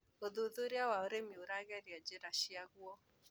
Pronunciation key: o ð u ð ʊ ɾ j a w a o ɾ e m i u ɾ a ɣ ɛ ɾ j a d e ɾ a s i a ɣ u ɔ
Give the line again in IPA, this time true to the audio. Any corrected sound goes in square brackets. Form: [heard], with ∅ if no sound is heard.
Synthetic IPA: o ð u ð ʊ ɾ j a w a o ɾ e m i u ɾ a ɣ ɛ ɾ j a [d͡ʒ] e ɾ a [ʃ] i a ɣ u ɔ